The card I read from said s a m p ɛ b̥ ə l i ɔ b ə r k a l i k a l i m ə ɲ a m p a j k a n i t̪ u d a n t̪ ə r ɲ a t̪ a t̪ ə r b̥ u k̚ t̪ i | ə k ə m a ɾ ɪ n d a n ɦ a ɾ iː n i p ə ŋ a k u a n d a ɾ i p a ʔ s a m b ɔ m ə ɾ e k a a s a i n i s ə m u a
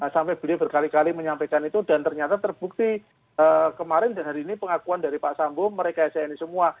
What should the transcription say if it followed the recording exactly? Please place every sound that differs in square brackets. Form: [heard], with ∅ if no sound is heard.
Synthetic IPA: s a m p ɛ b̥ ə l i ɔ b ə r k a l i k a l i m ə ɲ a m p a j k a n i t̪ u d a n t̪ ə r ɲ a t̪ a t̪ ə r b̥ u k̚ t̪ i | ə k ə m a ɾ ɪ n d a n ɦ a ɾ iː n i p ə ŋ a k u a n d a ɾ i p a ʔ s a m b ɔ m ə ɾ e k a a s a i n i s ə m u a